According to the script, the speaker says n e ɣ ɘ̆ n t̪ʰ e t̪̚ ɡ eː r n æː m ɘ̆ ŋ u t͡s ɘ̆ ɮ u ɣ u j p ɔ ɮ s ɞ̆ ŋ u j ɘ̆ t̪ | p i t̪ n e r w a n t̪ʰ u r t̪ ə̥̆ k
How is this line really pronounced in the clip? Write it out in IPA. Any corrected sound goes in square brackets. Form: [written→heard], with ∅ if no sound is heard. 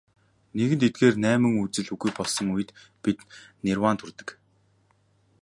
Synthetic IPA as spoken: n e ɣ ɘ̆ n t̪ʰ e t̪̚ ɡ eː r n æː m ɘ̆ ŋ u t͡s ɘ̆ ɮ u ɣ u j p ɔ ɮ s ɞ̆ ŋ u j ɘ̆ t̪ | p i t̪ n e r w a n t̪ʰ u r t̪ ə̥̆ k